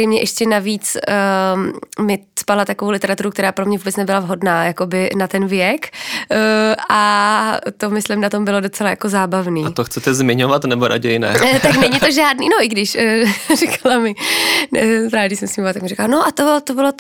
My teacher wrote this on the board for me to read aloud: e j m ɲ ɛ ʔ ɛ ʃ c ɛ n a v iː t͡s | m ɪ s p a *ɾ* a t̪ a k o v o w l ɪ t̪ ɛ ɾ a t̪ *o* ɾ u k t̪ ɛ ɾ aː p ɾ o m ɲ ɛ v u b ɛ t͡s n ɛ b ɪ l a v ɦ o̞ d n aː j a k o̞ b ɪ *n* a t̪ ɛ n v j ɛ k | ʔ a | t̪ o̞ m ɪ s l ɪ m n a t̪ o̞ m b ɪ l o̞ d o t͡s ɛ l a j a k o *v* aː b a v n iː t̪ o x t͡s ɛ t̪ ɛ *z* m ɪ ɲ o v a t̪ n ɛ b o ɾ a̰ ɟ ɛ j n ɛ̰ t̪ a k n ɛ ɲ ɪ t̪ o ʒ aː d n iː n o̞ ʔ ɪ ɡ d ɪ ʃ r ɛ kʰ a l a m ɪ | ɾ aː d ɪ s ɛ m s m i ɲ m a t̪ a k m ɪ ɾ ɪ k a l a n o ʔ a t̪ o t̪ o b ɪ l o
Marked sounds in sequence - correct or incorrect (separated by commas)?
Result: incorrect, incorrect, correct, incorrect, correct